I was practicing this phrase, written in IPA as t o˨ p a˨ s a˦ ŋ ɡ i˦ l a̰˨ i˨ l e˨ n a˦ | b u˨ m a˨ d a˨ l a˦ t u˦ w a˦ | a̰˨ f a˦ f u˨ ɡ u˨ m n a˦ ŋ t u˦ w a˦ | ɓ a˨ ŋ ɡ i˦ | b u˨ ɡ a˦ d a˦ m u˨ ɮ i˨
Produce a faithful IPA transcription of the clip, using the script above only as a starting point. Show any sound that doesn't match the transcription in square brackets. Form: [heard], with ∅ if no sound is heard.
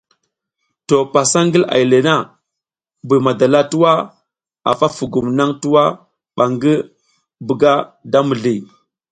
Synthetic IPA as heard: t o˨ p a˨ s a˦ ŋ ɡ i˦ l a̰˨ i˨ l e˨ n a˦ | b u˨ m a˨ d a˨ l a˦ t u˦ w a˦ | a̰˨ f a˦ f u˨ ɡ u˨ m n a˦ ŋ t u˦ w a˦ | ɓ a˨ ŋ ɡ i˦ | b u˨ ɡ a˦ d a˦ m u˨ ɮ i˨